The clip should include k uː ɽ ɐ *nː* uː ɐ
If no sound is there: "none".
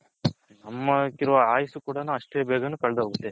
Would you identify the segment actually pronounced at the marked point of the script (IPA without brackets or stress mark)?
n